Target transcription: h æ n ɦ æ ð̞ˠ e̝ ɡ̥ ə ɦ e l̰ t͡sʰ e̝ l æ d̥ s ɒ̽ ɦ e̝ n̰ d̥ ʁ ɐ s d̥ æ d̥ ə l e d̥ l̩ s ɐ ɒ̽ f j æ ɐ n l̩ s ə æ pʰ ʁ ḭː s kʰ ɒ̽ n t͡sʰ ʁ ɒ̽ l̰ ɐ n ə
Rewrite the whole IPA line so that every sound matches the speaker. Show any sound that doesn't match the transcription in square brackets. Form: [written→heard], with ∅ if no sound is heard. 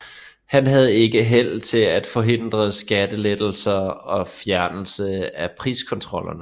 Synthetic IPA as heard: h æ n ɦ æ ð̞ˠ e̝ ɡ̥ ə ɦ e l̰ t͡sʰ e̝ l æ d̥ [s→f] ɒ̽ ɦ e̝ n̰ d̥ ʁ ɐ s [d̥→ɡ̥] æ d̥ ə l e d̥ l̩ s ɐ ɒ̽ f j æ ɐ n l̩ s ə æ pʰ ʁ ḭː s kʰ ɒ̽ n t͡sʰ ʁ ɒ̽ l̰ ɐ n ə